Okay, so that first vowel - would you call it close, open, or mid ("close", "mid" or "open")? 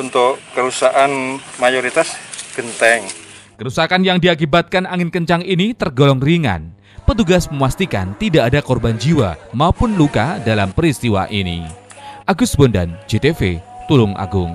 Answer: close